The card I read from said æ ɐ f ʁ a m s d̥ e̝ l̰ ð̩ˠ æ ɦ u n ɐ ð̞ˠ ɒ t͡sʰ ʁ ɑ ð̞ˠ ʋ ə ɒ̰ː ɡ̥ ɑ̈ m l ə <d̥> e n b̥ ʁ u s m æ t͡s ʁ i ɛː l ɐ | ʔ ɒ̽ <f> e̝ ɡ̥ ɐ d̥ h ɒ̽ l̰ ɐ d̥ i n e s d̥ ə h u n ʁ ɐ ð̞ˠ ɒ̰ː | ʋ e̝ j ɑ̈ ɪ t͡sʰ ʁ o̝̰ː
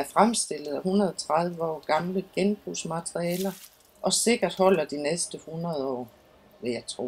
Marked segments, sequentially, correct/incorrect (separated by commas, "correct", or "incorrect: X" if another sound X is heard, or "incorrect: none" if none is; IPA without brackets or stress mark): incorrect: ɡ̥, incorrect: s